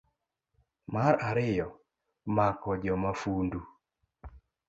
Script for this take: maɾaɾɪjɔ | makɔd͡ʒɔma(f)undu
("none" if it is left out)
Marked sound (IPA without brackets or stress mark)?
f